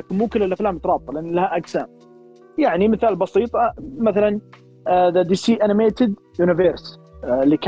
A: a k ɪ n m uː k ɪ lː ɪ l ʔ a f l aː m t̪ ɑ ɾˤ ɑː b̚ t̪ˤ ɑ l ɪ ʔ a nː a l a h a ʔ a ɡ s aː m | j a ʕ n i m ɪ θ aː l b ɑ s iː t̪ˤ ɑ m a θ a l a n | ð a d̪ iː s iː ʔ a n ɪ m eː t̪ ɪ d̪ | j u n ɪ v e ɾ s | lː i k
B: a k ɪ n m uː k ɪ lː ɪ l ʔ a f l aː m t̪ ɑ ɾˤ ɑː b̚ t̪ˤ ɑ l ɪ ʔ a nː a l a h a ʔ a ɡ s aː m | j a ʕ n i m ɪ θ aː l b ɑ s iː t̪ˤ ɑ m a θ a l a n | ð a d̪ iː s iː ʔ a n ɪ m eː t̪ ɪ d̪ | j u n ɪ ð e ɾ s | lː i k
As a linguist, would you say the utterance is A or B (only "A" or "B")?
A